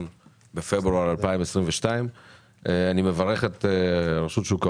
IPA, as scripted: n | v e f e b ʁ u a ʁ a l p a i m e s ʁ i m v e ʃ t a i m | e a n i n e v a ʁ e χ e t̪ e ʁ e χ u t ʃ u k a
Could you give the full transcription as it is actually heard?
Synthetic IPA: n | b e f e b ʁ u a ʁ a l p a i m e s ʁ i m v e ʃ t a i m | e a n i m e v a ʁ e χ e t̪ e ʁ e ʃ u t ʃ u k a